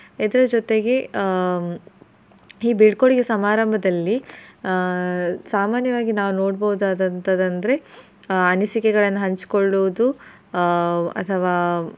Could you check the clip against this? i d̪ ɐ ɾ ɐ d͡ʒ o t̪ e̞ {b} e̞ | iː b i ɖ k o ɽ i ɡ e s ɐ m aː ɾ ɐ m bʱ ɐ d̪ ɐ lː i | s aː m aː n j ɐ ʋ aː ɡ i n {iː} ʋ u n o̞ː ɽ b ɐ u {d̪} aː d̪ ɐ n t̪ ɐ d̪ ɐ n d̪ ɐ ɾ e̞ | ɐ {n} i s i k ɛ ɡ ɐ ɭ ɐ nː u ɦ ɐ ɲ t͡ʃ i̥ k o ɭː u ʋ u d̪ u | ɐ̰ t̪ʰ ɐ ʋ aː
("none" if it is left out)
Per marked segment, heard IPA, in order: ɡ, aː, d̪, n

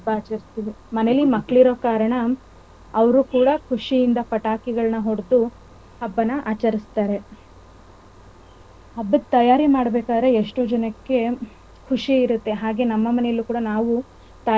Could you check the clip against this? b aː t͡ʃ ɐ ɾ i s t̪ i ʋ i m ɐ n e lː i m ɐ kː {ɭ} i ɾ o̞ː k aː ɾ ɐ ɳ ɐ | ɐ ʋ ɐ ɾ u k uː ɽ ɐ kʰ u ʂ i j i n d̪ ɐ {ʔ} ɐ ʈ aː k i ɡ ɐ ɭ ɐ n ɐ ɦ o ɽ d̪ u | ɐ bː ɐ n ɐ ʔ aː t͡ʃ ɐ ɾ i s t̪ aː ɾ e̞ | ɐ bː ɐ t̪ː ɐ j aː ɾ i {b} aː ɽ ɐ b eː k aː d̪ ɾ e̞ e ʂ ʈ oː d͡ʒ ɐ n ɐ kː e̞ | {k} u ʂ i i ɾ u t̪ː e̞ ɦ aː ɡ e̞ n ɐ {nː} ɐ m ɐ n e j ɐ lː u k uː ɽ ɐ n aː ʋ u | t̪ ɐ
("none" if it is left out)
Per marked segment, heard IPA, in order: ɭ, p, m, kʰ, mː

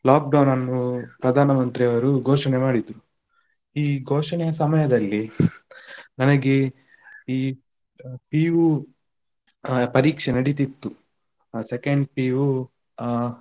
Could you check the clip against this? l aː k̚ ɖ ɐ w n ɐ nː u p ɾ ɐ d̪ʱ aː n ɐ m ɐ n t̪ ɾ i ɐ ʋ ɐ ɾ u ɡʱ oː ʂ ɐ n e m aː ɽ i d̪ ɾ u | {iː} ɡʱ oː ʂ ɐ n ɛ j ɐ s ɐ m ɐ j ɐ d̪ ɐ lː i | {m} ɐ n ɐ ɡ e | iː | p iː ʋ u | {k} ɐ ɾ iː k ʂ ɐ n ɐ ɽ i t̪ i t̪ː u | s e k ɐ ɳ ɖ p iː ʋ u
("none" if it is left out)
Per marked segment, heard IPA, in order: iː, n, p

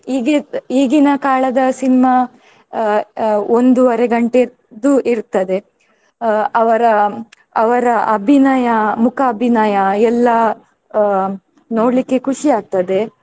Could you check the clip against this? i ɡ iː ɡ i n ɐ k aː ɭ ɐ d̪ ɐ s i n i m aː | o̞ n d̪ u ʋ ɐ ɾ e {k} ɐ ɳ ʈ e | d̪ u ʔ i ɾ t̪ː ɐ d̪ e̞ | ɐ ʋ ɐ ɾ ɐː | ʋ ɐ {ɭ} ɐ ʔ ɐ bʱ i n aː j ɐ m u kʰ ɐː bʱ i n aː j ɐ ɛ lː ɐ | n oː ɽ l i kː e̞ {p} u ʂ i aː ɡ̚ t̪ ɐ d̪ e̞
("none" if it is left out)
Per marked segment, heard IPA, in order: ɡ, ɾ, k

